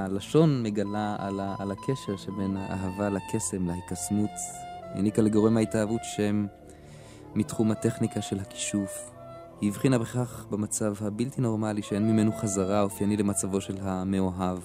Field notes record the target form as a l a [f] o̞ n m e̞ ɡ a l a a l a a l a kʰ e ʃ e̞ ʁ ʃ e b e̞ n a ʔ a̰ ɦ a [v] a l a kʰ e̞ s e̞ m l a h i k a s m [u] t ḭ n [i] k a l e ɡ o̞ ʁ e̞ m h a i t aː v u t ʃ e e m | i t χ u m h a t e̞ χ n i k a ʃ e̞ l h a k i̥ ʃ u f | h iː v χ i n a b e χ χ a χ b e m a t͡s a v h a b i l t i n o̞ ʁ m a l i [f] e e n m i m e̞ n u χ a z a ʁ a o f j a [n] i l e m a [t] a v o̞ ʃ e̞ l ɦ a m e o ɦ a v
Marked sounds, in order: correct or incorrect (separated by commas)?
incorrect, correct, correct, correct, incorrect, correct, incorrect